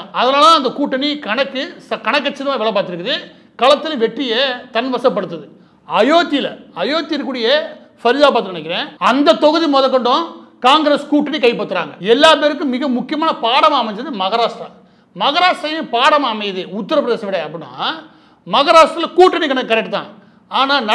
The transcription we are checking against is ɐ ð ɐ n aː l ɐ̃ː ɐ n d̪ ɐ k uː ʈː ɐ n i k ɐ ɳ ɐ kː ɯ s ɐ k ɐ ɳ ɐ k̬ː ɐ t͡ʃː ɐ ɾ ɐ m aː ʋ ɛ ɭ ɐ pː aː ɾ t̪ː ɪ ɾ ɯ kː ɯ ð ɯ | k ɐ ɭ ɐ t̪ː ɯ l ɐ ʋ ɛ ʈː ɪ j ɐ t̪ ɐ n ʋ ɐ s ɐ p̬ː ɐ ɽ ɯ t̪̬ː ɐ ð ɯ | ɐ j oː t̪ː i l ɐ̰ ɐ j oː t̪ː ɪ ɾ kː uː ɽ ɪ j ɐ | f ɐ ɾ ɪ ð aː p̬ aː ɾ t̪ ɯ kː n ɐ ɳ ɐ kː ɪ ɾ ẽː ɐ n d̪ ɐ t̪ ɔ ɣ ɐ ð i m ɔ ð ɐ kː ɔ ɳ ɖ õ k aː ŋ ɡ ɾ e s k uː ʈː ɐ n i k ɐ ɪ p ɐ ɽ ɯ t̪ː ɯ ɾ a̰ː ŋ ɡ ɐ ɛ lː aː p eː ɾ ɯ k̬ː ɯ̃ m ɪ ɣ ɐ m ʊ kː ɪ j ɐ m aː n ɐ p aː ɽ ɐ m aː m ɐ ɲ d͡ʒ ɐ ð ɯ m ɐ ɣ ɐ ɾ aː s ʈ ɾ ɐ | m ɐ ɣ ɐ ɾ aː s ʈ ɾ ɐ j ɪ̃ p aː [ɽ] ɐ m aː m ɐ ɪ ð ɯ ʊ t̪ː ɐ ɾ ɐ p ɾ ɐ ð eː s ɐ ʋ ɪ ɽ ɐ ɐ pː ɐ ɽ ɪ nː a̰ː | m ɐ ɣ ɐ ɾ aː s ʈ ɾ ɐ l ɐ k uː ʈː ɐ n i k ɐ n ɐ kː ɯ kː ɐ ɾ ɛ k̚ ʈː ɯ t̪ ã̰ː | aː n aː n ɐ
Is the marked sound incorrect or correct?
correct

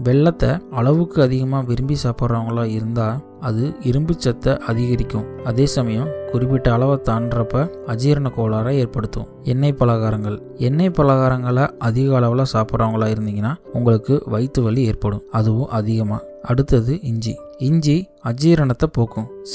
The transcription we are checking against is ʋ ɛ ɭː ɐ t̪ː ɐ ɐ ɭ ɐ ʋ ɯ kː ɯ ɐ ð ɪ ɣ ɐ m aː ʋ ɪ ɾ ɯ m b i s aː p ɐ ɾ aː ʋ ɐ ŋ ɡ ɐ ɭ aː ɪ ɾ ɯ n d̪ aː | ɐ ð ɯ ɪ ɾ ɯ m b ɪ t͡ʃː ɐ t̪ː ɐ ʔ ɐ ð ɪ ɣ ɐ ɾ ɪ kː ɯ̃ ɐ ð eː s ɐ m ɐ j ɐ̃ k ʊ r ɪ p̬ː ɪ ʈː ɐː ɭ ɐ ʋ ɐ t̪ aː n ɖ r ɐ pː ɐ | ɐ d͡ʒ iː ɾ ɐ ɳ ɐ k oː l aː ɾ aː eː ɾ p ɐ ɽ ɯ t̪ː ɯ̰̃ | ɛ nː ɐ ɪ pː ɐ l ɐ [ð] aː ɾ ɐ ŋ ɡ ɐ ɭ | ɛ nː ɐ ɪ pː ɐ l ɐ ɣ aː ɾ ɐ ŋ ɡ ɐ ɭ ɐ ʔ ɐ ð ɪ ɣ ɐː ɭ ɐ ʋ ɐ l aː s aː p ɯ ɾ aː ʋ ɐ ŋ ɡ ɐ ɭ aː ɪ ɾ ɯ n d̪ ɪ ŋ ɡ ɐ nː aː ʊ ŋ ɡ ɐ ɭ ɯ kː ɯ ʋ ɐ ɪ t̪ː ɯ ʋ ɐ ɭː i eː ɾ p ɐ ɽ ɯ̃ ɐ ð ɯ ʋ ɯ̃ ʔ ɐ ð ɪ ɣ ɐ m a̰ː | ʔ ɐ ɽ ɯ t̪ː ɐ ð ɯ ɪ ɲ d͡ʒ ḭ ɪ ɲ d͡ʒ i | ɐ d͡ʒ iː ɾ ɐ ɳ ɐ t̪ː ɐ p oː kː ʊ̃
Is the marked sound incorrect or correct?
incorrect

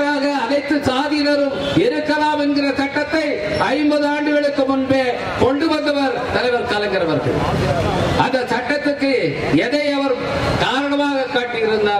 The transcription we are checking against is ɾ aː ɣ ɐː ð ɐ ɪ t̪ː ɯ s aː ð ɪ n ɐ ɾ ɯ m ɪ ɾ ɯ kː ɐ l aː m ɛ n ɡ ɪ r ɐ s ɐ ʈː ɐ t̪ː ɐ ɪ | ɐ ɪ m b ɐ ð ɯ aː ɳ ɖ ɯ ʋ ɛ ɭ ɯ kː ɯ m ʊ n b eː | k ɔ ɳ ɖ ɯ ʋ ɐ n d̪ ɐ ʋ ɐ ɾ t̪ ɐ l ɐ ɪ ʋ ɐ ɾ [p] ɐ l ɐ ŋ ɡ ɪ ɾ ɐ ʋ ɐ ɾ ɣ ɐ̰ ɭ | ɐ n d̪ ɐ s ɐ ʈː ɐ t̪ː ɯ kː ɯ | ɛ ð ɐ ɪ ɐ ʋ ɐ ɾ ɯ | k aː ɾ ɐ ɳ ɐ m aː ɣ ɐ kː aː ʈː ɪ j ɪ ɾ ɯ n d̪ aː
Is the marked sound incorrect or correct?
incorrect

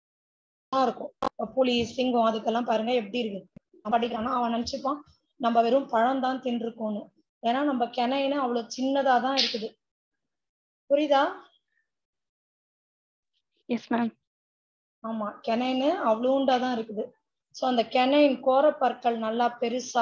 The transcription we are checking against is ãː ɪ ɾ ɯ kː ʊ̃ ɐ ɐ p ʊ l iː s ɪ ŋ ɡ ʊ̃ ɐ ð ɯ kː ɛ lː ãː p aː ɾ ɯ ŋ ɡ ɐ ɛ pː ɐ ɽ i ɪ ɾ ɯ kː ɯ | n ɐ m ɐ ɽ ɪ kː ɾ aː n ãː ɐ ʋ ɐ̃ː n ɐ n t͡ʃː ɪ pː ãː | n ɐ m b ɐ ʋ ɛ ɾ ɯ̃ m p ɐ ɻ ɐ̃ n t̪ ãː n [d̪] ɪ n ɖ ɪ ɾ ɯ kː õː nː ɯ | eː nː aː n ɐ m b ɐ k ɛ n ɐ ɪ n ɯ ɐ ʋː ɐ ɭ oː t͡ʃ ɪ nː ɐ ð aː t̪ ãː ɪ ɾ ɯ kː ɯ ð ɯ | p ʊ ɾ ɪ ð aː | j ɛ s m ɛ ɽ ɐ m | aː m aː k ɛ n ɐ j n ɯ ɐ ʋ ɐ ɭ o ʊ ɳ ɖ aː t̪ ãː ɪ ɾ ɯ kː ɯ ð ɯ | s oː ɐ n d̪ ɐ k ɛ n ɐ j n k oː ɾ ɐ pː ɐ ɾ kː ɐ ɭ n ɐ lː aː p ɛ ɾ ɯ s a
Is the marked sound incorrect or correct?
incorrect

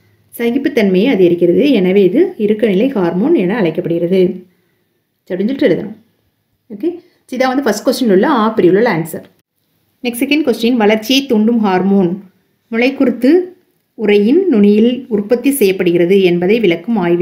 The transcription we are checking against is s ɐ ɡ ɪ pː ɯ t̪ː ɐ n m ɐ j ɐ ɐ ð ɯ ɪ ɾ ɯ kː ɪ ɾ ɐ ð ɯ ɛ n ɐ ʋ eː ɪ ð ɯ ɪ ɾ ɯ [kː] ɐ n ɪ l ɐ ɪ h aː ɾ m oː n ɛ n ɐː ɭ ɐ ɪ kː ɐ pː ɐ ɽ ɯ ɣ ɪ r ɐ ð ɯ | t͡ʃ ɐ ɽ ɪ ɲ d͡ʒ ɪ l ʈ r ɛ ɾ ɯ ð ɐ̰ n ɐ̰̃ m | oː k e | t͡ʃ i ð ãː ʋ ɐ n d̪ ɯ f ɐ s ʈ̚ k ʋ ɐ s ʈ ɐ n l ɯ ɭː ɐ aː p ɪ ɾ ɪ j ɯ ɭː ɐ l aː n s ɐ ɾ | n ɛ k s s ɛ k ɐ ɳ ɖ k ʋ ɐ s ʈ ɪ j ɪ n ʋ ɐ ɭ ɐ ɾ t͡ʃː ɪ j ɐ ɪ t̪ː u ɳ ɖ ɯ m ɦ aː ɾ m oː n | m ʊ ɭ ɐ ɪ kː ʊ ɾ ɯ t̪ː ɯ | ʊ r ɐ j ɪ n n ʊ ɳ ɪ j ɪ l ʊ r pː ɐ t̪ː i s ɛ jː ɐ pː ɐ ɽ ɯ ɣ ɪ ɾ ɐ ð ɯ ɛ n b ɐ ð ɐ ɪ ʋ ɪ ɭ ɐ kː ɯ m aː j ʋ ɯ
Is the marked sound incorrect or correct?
correct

